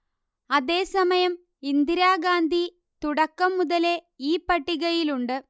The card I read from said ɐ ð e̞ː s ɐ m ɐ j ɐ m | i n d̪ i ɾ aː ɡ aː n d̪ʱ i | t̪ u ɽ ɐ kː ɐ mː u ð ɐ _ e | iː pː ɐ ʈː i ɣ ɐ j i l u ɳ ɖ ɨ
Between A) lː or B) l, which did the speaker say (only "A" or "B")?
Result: B